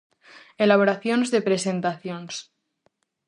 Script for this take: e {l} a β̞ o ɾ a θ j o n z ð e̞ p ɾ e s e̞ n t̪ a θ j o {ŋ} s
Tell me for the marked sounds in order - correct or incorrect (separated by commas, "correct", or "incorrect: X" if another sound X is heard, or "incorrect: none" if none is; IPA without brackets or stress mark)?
correct, incorrect: n